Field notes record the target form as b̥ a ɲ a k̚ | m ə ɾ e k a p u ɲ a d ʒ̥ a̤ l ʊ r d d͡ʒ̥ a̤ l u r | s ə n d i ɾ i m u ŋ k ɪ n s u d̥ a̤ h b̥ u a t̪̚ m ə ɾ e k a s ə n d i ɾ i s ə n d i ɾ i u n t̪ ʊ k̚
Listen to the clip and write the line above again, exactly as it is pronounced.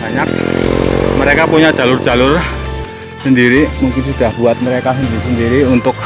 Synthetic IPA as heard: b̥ a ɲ a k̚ | m ə ɾ e k a p u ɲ a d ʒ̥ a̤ l ʊ r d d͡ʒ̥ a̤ l ʊ r | s ə n d i ɾ i m u ŋ k ɪ n s u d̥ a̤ h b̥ u a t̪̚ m ə ɾ e k a s ə n d i ɾ i s ə n d i ɾ i u n t̪ ʊ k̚